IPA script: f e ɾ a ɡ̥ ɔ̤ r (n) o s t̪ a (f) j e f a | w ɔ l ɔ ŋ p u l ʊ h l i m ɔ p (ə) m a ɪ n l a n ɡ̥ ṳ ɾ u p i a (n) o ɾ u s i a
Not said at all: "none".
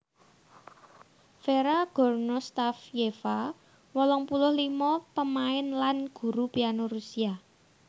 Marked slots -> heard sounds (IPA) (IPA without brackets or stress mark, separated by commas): n, f, ə, n